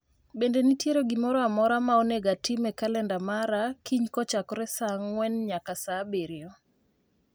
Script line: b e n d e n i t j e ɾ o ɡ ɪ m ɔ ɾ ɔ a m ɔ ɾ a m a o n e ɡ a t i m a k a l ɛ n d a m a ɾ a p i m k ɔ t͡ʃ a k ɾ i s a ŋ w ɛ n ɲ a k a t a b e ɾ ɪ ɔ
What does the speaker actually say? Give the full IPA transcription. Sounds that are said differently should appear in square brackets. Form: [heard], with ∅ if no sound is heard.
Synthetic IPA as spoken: b e n d e n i t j e ɾ o ɡ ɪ m ɔ ɾ ɔ a m ɔ ɾ a m a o n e ɡ a t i m [ɛ] k a l ɛ n d a m a ɾ a [k] i [ɲ] k ɔ t͡ʃ a k ɾ [ɛ] s a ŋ w ɛ n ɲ a k a [s] a b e ɾ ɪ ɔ